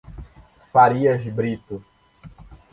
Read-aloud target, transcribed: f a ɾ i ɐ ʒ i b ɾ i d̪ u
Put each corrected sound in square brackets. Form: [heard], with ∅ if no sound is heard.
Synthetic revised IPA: f a ɾ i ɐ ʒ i b ɾ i [t̪] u